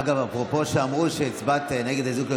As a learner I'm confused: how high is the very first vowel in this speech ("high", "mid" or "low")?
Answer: low